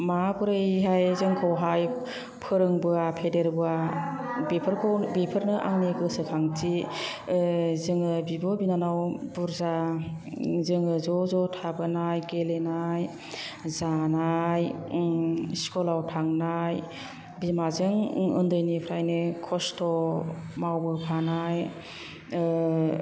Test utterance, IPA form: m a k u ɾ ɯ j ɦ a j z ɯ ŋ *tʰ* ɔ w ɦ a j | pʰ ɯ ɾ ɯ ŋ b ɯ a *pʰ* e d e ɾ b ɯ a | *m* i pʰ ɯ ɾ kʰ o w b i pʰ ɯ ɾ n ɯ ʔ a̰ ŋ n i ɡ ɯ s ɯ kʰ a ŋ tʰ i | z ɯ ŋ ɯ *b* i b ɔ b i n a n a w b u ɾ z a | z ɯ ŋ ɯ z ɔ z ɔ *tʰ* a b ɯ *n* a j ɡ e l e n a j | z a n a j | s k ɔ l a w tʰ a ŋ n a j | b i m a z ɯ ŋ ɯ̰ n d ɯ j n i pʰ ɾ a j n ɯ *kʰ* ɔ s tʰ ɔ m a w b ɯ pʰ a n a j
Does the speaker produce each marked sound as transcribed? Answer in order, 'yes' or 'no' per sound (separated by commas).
no, yes, no, yes, yes, yes, yes